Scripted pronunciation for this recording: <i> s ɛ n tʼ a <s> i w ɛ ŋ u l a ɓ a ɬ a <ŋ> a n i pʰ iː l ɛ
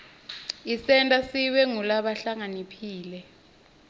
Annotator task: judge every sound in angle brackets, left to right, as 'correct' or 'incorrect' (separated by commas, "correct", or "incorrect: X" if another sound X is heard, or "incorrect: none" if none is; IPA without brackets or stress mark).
correct, correct, correct